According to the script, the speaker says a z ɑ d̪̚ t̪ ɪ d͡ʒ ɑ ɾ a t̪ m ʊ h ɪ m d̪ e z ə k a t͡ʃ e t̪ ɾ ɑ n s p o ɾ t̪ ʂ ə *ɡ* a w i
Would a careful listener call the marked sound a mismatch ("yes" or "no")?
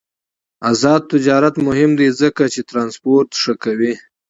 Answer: yes